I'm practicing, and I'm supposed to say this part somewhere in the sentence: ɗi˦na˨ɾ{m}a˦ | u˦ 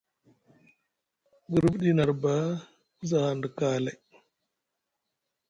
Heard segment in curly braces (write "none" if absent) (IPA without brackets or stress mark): b